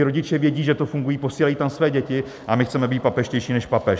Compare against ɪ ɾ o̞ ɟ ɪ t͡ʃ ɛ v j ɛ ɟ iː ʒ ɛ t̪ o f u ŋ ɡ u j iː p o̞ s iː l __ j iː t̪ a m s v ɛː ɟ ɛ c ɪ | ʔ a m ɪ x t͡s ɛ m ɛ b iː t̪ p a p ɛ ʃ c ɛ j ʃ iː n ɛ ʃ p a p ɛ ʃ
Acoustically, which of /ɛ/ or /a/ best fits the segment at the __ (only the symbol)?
a